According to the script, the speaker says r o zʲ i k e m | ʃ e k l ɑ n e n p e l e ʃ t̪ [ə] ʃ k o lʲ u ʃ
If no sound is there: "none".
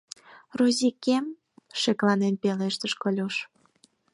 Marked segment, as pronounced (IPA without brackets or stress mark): ə